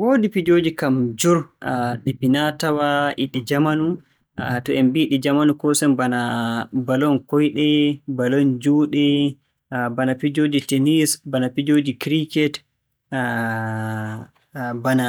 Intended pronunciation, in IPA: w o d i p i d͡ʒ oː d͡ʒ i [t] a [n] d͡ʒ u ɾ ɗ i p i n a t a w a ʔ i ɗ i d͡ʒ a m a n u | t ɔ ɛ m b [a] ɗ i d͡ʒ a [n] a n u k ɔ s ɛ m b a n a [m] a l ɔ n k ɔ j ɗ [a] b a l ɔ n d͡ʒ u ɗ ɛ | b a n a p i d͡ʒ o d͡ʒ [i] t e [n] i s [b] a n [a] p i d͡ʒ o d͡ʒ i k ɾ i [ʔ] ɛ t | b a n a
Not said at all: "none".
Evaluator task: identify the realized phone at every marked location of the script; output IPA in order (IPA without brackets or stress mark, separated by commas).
k, m, i, m, b, ɛ, i, n, b, a, k